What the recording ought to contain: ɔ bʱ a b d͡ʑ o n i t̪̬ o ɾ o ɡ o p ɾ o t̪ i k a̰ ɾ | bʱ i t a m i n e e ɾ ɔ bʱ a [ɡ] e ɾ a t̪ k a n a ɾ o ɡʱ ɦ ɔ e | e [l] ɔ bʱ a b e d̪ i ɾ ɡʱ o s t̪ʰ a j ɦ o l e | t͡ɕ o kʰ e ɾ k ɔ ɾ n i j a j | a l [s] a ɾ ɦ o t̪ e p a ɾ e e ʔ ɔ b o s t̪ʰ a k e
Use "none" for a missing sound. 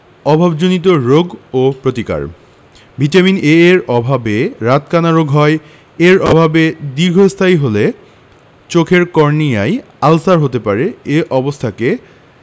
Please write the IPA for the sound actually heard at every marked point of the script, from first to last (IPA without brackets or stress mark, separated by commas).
b, ɾ, s